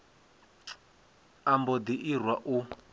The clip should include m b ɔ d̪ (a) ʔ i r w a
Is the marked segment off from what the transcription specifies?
yes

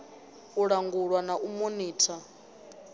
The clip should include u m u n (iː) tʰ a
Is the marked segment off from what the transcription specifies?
no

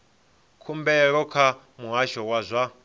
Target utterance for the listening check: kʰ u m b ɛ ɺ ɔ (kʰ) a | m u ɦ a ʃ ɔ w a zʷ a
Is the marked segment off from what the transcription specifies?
no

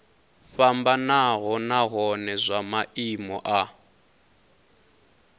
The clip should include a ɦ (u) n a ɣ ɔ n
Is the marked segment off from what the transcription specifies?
yes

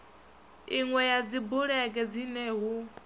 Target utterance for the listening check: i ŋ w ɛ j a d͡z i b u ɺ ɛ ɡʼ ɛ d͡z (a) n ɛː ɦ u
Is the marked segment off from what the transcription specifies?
yes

